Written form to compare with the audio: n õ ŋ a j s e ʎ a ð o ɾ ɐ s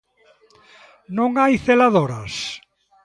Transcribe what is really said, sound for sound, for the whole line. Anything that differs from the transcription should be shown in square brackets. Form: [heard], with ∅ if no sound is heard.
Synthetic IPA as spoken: n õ ŋ a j [θ] e [l] a ð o ɾ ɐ s